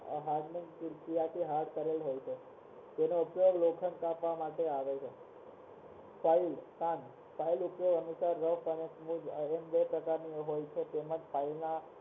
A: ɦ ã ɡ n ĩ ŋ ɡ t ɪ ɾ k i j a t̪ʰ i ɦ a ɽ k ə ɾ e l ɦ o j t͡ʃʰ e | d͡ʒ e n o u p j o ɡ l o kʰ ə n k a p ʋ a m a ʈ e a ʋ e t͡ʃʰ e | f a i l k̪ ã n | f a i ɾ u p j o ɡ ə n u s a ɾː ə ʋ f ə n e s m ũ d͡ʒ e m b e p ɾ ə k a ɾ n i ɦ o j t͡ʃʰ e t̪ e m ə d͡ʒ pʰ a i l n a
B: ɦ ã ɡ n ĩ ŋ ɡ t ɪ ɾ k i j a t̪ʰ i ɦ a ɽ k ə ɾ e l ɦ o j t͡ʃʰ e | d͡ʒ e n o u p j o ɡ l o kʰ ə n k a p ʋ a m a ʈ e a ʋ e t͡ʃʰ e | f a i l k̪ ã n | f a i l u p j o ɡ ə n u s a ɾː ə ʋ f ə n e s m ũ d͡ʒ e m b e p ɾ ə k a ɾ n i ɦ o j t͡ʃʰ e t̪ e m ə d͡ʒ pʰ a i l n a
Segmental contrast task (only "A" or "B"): B